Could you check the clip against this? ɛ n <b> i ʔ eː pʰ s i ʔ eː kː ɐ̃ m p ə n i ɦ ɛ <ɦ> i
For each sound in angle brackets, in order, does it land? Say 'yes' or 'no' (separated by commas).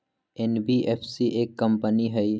yes, no